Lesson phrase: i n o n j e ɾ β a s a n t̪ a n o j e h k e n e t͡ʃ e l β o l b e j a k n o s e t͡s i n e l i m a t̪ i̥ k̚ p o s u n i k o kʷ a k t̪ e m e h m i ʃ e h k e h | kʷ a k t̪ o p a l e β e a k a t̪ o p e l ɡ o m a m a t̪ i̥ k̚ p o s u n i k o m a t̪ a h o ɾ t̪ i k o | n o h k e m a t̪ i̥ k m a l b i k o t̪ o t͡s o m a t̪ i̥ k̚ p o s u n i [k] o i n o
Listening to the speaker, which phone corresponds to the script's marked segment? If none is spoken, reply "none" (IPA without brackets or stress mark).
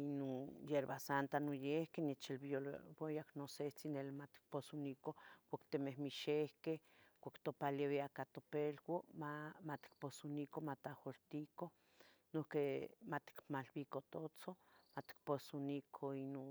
kʰ